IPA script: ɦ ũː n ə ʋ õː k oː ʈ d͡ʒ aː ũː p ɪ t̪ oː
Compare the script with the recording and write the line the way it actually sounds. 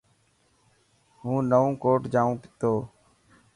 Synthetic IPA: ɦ ũː n ə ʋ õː k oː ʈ d͡ʒ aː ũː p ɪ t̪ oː